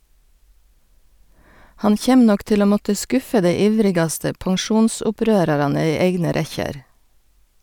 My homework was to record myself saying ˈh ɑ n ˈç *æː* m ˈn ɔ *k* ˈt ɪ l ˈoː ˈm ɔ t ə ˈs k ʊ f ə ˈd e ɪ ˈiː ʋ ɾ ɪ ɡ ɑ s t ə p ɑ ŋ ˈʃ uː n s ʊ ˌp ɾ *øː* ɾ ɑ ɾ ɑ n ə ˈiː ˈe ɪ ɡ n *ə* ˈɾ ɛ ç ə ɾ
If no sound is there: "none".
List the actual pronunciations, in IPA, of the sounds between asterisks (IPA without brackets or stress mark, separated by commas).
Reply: eː, k, øː, ə